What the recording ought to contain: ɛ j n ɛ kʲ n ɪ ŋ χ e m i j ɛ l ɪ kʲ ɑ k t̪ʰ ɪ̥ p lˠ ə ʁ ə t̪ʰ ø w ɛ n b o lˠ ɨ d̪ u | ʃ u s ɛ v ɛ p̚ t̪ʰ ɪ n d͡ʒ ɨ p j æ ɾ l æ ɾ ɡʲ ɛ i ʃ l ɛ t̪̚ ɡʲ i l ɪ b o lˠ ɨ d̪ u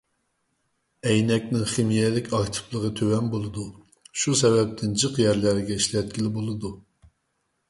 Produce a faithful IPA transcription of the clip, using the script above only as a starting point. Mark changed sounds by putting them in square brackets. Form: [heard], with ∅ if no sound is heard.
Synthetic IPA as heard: ɛ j n ɛ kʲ n ɪ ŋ χ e m i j ɛ l ɪ kʲ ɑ k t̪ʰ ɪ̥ p lˠ ə ʁ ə t̪ʰ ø w ɛ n b o lˠ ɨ d̪ u | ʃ u s ɛ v ɛ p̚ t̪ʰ ɪ n d͡ʒ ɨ [q] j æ ɾ l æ ɾ ɡʲ ɛ i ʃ l ɛ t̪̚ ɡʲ i l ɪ b o lˠ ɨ d̪ u